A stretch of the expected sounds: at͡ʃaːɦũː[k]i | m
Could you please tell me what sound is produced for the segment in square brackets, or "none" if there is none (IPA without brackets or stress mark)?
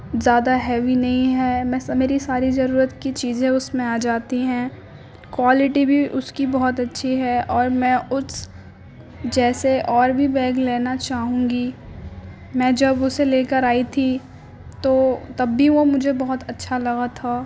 ɡ